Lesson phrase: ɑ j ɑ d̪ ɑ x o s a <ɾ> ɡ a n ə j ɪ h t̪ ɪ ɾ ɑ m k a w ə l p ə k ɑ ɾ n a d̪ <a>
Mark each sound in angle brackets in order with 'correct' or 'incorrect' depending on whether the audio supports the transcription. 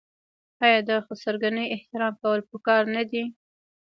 correct, incorrect: i

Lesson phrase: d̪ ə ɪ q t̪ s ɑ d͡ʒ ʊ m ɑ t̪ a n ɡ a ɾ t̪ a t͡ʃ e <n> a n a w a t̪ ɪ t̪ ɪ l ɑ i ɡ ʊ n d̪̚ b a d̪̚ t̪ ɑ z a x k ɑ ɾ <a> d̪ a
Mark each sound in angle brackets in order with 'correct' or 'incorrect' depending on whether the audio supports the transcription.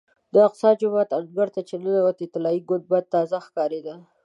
correct, incorrect: e

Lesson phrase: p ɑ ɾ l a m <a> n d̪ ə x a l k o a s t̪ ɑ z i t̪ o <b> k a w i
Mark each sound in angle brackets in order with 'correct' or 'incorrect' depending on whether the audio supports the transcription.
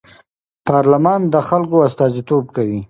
incorrect: ɑ, correct

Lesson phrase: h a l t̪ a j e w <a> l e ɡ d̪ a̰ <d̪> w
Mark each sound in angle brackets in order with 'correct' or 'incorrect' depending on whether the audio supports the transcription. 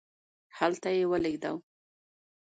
incorrect: ə, incorrect: none

